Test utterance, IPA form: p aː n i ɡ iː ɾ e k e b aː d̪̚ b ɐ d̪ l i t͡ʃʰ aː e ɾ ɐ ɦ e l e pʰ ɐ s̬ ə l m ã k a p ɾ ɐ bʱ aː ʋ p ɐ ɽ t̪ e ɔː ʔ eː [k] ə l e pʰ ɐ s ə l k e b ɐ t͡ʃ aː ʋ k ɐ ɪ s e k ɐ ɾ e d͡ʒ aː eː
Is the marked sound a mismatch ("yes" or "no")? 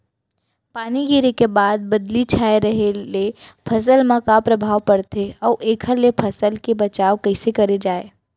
yes